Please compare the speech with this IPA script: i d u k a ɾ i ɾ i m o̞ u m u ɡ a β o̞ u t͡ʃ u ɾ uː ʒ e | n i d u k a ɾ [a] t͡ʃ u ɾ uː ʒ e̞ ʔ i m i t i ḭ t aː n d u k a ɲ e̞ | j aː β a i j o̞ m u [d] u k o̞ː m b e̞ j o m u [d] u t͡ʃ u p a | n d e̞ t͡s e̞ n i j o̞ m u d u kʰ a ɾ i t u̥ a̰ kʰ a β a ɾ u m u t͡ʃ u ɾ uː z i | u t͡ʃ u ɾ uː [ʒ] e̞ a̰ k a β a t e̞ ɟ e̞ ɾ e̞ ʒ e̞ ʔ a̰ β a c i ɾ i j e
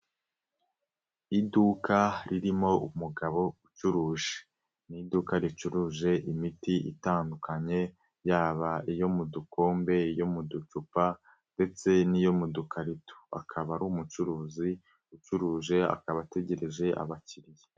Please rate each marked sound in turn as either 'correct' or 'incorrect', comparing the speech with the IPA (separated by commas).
incorrect, correct, correct, correct